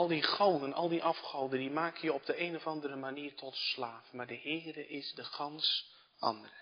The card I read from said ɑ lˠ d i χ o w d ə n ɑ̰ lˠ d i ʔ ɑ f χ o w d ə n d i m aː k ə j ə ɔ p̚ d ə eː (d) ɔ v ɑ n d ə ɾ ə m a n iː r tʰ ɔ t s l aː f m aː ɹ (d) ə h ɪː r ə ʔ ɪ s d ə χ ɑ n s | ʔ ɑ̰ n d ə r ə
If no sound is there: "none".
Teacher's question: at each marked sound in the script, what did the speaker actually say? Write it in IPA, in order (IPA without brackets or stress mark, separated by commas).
n, d